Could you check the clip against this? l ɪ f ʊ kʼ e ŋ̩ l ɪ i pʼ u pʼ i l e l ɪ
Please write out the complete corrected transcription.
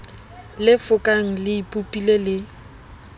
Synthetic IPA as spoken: l ɪ f ʊ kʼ a ŋ̩ l ɪ i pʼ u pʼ i l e l ɪ